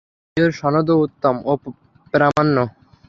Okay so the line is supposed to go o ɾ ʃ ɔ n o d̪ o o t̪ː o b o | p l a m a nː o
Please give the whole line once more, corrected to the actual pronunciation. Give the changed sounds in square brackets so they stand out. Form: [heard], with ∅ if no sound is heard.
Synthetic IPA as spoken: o ɾ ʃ ɔ n o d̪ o [u] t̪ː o [m] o | p [ɾ] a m a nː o